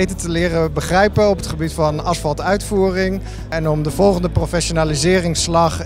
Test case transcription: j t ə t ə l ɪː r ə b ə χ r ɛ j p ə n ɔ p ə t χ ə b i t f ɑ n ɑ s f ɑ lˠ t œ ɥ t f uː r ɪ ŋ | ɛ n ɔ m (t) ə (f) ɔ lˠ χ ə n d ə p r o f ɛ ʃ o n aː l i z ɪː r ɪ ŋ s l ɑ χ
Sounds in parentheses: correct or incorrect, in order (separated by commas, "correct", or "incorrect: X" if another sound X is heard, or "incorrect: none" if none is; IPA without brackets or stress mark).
incorrect: d, incorrect: v